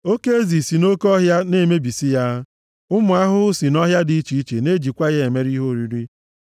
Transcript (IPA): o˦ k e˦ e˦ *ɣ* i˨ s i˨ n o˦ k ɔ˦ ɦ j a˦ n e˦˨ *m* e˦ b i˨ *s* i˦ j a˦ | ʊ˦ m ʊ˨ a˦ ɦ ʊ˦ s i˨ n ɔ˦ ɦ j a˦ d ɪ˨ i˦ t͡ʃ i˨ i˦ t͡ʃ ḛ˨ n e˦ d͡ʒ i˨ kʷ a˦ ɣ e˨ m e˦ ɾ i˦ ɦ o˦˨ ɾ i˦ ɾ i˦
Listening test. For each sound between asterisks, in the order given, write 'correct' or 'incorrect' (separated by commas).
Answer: incorrect, correct, correct